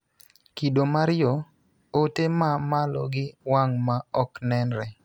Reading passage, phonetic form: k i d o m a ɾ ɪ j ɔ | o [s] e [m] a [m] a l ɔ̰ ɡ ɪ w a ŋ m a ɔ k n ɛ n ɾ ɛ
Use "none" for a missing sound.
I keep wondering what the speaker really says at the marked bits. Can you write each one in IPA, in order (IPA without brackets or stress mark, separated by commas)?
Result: t, m, m